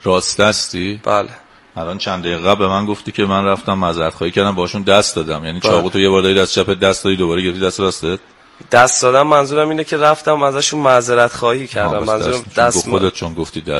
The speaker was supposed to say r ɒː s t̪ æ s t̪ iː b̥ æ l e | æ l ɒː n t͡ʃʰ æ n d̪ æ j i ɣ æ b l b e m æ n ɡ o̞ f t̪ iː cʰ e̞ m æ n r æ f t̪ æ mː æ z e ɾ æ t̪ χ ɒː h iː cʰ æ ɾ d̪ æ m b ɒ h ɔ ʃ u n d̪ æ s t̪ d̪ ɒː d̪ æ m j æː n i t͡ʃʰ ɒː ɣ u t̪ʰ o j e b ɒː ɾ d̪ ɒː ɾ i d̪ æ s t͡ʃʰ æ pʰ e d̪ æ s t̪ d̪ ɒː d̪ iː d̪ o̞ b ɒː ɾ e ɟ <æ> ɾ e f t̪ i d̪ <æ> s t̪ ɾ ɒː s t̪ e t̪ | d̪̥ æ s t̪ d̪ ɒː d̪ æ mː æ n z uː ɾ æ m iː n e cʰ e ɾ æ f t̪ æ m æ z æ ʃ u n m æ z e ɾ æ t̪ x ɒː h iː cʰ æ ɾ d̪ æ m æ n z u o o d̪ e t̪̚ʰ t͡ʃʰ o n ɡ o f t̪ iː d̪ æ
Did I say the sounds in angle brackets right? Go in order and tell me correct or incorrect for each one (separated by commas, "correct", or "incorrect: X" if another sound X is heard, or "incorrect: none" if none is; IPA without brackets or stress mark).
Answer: incorrect: e, correct